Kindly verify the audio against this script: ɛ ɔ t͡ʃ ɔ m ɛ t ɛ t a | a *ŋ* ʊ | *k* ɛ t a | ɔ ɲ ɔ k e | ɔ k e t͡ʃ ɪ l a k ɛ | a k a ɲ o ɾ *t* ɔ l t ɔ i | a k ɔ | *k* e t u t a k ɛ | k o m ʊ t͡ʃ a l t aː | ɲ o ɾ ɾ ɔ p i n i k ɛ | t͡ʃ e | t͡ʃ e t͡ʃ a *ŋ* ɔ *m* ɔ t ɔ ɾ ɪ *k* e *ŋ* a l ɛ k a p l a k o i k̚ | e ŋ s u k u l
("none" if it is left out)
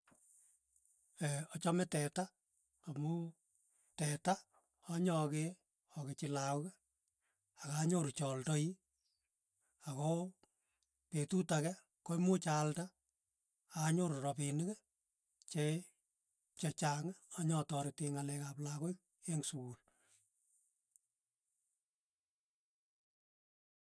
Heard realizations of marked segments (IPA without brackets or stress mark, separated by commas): m, t, t͡ʃ, p, ŋ, ɲ, t, ŋ